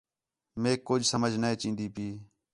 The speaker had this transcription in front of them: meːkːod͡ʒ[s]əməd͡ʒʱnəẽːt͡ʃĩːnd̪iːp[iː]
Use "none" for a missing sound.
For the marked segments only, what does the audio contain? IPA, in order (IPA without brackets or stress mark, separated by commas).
s, iː